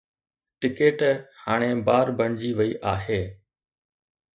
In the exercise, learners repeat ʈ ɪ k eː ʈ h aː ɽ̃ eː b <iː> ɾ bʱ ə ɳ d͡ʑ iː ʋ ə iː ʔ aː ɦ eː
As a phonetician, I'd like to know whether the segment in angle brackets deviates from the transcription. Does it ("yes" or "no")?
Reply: yes